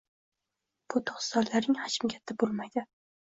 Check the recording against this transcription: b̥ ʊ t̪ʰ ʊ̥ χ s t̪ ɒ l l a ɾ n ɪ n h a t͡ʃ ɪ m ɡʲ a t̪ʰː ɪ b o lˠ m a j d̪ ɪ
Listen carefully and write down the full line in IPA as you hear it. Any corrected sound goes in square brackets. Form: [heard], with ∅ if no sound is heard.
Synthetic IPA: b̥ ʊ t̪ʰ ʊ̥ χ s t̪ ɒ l l a ɾ n ɪ [ŋ] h a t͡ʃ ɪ m ɡʲ a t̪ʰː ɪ b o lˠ m a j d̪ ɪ